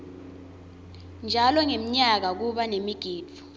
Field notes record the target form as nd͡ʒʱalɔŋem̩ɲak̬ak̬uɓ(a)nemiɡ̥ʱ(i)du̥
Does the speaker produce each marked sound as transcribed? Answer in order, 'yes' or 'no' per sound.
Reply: yes, no

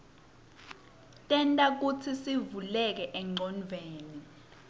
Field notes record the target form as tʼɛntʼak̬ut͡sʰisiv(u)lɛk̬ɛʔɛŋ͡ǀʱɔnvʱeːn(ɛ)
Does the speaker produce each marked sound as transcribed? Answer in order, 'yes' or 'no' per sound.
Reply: yes, no

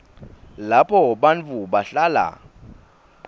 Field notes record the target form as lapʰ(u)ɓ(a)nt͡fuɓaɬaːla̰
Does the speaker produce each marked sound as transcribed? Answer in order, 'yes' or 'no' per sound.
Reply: no, yes

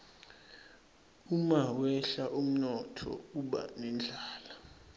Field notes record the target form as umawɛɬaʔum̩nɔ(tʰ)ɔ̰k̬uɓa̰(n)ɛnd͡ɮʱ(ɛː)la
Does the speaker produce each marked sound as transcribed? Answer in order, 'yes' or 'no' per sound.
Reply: yes, yes, no

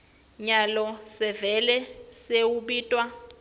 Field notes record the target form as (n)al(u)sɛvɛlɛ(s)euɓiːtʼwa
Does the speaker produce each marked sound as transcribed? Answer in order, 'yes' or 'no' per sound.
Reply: no, no, yes

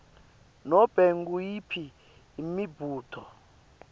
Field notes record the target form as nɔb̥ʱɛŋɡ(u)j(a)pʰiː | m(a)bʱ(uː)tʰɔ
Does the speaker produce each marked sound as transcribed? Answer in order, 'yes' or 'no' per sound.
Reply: yes, no, no, yes

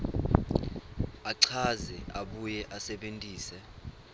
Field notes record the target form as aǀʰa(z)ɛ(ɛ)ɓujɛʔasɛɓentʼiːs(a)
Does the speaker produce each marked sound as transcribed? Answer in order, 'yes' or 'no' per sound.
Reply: yes, no, no

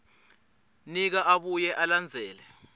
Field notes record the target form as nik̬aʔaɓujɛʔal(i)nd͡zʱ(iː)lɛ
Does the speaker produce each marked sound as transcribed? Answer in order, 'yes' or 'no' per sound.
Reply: no, no

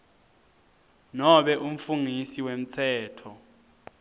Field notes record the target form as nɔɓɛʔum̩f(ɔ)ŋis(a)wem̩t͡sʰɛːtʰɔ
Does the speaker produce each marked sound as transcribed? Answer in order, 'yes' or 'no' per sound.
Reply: no, no

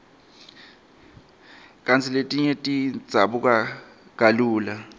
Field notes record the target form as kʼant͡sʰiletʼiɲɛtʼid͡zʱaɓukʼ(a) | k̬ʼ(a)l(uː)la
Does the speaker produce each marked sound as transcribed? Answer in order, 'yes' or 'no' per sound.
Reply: yes, yes, yes

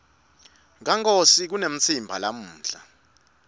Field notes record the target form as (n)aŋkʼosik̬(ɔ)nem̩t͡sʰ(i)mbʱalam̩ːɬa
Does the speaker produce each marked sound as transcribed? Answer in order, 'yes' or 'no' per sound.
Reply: no, no, yes

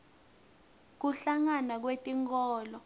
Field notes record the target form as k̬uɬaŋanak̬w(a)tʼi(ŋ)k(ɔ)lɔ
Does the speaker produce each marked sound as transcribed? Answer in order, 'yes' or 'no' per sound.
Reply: no, yes, no

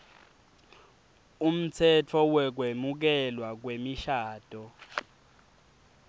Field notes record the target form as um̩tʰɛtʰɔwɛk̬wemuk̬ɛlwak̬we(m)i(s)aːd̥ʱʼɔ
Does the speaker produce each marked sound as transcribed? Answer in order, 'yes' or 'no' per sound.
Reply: yes, no

